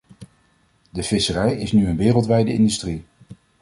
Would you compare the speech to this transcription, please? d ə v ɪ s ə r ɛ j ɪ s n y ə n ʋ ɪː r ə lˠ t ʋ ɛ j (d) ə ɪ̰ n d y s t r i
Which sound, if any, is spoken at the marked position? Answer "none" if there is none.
d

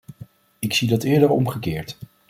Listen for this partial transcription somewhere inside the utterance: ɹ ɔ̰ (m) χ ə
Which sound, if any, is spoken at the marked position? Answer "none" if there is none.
m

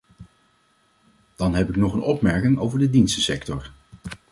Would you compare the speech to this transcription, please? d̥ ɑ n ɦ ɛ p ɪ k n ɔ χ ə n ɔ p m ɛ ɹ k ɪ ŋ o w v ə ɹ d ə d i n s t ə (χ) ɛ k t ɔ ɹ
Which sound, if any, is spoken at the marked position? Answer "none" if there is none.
s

